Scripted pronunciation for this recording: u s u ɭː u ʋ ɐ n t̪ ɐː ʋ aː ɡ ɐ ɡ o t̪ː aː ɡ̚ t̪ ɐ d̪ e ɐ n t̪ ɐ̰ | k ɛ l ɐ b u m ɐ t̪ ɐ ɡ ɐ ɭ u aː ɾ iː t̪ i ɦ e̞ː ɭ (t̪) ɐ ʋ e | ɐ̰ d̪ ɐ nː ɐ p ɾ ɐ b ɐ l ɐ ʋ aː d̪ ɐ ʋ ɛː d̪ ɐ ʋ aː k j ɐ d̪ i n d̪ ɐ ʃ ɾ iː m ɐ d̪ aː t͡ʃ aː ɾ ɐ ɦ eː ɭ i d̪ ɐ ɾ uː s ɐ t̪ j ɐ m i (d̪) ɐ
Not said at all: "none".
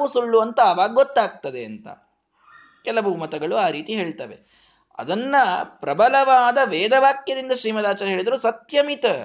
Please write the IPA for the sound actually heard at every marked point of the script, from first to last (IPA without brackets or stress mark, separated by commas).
t̪, t̪